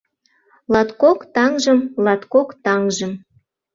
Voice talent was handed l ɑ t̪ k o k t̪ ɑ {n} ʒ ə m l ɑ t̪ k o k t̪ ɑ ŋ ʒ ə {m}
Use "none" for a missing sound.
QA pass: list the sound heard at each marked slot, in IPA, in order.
ŋ, m

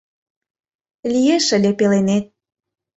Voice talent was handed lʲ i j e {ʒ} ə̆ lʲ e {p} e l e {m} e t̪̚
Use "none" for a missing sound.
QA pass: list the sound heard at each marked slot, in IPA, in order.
ʃ, p, n

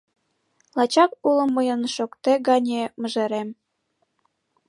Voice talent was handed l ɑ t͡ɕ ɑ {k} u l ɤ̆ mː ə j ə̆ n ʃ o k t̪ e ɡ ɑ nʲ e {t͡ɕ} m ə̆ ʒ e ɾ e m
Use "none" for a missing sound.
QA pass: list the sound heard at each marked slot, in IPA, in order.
k, none

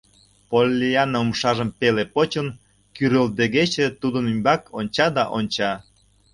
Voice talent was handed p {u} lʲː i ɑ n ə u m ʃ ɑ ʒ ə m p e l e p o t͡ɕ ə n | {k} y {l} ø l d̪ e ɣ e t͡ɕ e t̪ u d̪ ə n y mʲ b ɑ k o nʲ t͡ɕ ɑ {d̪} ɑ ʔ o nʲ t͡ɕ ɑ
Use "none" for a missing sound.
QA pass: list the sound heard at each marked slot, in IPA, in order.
o, k, ɾ, d̪

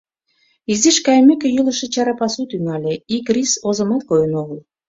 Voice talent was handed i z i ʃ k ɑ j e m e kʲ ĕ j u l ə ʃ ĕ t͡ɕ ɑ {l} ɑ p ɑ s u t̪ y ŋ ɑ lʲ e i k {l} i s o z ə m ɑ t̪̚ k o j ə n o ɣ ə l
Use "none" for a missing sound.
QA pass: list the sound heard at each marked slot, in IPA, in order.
ɾ, r

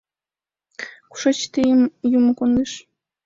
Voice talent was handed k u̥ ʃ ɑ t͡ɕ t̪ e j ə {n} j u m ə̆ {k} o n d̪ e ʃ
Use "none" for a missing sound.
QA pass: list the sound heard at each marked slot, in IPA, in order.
m, k

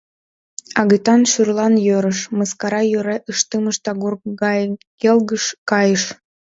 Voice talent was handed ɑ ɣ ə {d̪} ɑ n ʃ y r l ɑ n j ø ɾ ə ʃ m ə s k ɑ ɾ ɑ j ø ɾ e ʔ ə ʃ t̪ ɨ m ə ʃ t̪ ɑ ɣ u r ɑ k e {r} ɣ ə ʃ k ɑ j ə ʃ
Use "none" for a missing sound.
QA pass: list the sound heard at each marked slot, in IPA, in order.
t̪, l

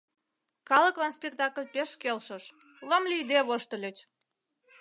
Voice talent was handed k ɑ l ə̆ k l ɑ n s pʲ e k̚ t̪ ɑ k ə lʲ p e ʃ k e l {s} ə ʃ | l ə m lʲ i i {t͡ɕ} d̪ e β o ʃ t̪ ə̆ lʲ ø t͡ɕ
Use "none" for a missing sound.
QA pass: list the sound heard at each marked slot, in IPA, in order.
ʃ, none

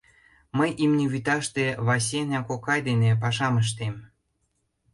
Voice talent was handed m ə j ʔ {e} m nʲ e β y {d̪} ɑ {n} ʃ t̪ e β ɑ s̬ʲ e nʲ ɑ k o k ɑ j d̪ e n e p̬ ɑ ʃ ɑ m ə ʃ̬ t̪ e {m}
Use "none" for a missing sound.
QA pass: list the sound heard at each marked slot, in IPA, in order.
i, t̪, none, m

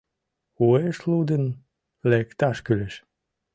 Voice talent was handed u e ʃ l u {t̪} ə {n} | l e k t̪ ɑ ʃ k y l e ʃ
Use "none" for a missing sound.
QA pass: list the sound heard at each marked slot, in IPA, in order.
d̪, n

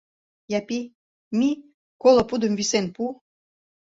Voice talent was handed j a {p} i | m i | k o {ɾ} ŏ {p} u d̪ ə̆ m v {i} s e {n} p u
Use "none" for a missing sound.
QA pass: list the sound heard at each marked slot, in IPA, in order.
p, l, p, i, n

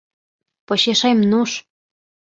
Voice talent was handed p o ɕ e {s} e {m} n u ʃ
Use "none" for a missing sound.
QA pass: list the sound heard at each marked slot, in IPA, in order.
ʃ, m

